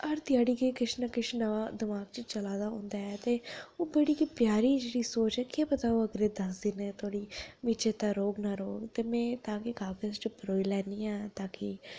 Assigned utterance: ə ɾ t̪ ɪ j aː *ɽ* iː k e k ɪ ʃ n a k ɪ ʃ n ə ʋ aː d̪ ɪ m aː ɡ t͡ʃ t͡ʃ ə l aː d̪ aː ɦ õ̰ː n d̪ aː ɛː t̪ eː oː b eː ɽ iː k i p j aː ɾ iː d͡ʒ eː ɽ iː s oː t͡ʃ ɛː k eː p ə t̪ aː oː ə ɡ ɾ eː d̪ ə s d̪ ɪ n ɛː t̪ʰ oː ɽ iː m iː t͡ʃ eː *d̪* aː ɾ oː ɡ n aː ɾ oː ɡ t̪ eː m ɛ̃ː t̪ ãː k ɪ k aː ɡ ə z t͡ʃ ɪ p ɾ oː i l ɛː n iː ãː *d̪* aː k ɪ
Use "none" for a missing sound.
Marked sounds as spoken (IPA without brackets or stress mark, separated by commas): ɽ, t̪, t̪